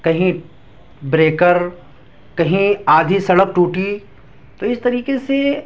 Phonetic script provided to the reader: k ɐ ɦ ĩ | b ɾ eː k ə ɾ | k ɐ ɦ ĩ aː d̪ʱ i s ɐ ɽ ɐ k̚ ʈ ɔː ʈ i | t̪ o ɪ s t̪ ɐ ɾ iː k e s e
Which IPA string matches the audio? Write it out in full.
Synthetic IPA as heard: k ɐ ɦ ĩ | b ɾ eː k ə ɾ | k ɐ ɦ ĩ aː d̪ʱ i s ɐ ɽ ə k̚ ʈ uː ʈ i | t̪ o ɪ s t̪ ɐ ɾ iː k e s e

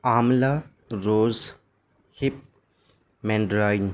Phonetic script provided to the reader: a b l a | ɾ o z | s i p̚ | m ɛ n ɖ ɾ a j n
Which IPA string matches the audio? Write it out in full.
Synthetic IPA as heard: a m l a | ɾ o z | h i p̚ | m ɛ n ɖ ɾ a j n

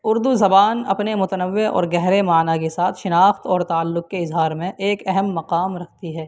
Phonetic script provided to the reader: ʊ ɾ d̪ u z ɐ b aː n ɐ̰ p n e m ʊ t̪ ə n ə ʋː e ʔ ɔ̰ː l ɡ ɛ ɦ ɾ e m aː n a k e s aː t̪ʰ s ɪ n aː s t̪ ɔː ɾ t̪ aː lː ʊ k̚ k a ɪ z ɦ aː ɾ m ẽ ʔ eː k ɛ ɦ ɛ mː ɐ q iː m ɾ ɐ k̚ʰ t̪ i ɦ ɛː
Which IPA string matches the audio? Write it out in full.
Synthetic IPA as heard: ʊ ɾ d̪ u z ɐ b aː n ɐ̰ p n e m ʊ t̪ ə n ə ʋː e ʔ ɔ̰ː ɾ ɡ ɛ ɦ ɾ e m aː n a k e s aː t̪ʰ ʃ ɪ n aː x t̪ ɔː ɾ t̪ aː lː ʊ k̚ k e ɪ z ɦ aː ɾ m ẽ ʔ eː k ɛ ɦ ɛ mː ɐ q aː m ɾ ɐ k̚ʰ t̪ i ɦ ɛː

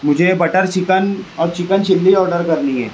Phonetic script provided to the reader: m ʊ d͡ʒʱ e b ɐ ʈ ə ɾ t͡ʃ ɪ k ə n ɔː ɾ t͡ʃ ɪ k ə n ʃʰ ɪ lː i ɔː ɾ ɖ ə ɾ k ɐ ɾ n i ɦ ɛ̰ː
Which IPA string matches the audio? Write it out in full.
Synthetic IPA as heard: m ʊ d͡ʒʱ e b ɐ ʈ ə ɾ t͡ʃ ɪ k ə n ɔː ɾ t͡ʃ ɪ k ə n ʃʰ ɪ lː i ɔː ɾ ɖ ə ɾ k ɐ ɾ n i ɦ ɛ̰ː

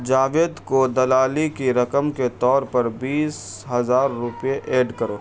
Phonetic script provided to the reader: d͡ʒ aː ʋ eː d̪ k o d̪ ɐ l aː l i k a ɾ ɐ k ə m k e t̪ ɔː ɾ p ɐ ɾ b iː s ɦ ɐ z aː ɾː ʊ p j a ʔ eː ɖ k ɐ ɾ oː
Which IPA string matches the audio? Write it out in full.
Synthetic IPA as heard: d͡ʒ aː ʋ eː d̪ k o d̪ ɐ l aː l i k i ɾ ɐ k ə m k e t̪ ɔː ɾ p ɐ ɾ b iː s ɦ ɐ z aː ɾː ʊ p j e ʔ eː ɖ k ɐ ɾ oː

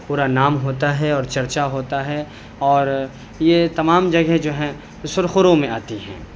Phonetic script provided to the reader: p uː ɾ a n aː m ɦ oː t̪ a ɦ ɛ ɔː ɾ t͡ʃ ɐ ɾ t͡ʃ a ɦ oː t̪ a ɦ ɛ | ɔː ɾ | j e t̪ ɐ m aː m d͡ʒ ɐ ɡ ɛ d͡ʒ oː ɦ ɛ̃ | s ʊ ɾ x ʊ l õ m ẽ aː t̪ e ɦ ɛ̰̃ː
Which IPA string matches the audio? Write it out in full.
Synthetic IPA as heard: p uː ɾ a n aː m ɦ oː t̪ a ɦ ɛ ɔː ɾ t͡ʃ ɐ ɾ t͡ʃ a ɦ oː t̪ a ɦ ɛ | ɔː ɾ | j e t̪ ɐ m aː m d͡ʒ ɐ ɡ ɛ d͡ʒ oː ɦ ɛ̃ | s ʊ ɾ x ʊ ɾ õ m ẽ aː t̪ i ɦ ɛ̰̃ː

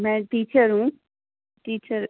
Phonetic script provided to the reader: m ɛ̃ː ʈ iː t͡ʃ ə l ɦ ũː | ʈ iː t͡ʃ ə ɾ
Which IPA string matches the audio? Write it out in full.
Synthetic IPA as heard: m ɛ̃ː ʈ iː t͡ʃ ə ɾ ɦ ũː | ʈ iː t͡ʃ ə ɾ

